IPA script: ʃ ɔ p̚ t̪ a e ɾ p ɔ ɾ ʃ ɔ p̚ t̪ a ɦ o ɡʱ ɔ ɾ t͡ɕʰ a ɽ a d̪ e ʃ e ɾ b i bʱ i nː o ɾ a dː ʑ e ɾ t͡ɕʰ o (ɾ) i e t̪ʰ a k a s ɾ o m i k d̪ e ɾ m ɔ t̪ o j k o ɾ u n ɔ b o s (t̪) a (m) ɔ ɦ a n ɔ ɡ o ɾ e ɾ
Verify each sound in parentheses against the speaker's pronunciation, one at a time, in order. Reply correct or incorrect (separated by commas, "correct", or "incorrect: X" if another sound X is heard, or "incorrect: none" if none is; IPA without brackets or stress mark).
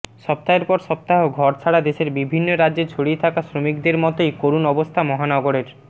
incorrect: ɽ, incorrect: t̪ʰ, correct